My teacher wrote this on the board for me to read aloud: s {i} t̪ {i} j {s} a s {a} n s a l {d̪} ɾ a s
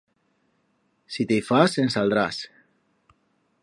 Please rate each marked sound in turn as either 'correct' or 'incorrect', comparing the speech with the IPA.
correct, incorrect: e, incorrect: f, incorrect: e, correct

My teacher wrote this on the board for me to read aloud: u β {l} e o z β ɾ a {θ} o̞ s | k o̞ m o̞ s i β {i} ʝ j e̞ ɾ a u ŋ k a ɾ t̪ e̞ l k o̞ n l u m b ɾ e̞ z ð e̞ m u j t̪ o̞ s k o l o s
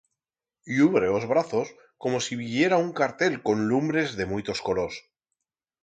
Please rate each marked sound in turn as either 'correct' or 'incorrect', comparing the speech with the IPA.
incorrect: ɾ, correct, correct

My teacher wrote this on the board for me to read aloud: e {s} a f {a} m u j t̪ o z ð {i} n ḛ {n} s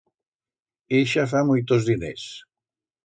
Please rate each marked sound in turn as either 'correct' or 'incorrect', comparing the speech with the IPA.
incorrect: ʃ, correct, correct, incorrect: none

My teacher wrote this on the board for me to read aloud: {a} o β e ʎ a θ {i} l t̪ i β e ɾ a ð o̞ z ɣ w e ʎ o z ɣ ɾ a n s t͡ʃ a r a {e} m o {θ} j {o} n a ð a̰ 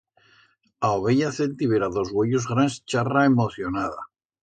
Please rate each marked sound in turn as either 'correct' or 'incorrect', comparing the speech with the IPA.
correct, incorrect: e, correct, correct, correct

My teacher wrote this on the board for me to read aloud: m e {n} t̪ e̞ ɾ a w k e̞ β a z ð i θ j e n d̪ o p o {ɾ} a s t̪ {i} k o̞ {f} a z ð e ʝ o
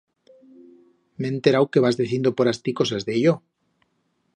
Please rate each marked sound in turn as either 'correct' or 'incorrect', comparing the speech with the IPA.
correct, correct, correct, incorrect: s

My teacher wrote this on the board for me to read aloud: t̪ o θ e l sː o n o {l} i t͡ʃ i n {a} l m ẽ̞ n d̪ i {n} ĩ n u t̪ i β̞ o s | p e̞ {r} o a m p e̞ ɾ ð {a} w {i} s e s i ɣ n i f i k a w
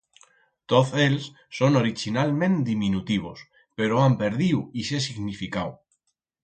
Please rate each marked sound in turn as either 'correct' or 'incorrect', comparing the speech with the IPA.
incorrect: ɾ, correct, incorrect: m, incorrect: ɾ, incorrect: i, correct

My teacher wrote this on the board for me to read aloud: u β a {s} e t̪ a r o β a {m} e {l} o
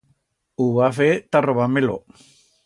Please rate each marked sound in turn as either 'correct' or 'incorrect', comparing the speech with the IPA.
incorrect: f, correct, correct

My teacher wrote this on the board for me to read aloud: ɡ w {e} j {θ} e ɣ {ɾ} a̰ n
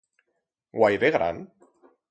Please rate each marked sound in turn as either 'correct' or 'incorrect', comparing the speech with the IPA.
incorrect: a, incorrect: ð, correct

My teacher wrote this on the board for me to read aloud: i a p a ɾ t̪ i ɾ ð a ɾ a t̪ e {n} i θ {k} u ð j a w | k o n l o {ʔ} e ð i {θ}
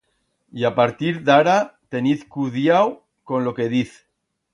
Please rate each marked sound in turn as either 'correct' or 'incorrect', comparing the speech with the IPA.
correct, correct, incorrect: k, correct

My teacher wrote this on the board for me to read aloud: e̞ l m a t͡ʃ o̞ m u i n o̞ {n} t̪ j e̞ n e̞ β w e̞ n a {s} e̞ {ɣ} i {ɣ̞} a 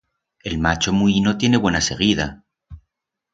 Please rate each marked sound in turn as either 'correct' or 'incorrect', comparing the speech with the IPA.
incorrect: none, correct, correct, incorrect: ð̞

